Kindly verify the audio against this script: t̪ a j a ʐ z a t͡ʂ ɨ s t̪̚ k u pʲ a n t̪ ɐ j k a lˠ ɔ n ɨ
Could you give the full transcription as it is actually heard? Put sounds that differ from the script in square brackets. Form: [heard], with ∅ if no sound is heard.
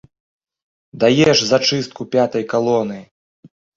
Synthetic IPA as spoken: [d̪] a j [ɛ] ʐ z a t͡ʂ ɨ s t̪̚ k u pʲ a [∅] t̪ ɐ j k a lˠ ɔ n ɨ